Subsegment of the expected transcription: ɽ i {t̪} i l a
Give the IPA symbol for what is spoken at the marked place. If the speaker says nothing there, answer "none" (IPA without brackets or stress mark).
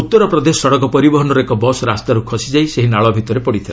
t̪ʰ